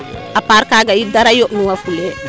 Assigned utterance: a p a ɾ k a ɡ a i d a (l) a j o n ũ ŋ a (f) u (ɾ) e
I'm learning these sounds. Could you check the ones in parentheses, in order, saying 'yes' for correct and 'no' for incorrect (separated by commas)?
no, yes, no